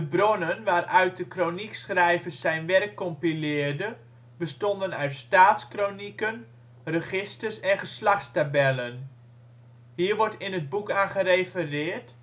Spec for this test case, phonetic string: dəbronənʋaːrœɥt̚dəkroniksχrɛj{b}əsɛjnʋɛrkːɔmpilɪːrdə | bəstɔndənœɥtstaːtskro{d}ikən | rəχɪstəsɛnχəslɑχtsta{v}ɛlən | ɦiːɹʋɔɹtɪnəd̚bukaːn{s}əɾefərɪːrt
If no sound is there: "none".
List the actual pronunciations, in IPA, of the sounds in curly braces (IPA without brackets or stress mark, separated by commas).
v, n, b, χ